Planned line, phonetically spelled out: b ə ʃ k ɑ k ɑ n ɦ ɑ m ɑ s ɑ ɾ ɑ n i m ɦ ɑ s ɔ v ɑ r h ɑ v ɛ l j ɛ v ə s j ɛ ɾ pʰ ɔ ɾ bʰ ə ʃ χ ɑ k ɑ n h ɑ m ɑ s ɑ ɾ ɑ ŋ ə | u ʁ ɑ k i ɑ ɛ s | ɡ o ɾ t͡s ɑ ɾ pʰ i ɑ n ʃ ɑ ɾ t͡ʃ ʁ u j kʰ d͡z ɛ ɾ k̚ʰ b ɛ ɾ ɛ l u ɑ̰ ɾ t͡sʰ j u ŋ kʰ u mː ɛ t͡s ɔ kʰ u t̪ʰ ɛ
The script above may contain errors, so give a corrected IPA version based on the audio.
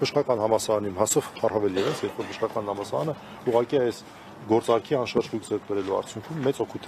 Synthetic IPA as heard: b ə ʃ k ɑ k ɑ n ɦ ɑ m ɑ s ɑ ɾ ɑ n i m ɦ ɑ s ɔ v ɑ r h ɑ v ɛ l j ɛ v ə s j ɛ ɾ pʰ ɔ ɾ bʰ ə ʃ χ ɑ k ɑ n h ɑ m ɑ s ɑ ɾ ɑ n ə | u ʁ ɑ k i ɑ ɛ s | ɡ ɔ ɾ t͡s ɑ ɾ kʰ i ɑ n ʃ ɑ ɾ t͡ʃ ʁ u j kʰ d͡z ɛ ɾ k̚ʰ b ɛ ɾ ɛ l u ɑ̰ ɾ t͡sʰ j u ŋ kʰ u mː ɛ t͡s ɔ kʰ u t̪ʰ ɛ